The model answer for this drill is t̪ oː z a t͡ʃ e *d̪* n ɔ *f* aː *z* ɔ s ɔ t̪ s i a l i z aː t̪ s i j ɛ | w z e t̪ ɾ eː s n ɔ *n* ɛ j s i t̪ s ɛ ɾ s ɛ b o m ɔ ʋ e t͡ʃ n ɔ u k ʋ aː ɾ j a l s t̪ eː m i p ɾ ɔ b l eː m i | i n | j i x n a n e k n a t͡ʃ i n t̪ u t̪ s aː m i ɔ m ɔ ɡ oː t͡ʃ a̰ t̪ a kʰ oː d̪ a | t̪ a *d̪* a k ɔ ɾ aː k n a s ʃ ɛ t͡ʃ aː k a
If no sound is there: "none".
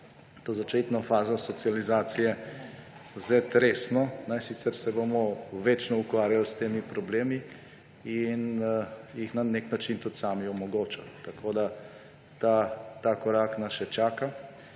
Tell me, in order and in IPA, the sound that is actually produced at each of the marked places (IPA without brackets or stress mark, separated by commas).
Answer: t̪, f, z, n, t̪